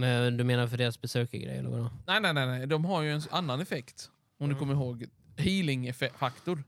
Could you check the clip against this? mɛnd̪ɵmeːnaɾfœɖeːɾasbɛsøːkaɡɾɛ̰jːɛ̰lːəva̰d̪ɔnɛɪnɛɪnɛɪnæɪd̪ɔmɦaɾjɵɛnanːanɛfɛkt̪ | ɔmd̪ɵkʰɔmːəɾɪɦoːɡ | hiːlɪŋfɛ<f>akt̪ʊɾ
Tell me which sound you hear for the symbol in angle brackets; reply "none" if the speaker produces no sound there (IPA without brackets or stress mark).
f